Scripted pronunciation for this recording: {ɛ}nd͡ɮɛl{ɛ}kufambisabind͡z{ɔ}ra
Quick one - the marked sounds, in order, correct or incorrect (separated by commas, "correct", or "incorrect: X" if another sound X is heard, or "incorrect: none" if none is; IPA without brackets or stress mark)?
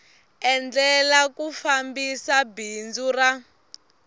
correct, incorrect: a, incorrect: u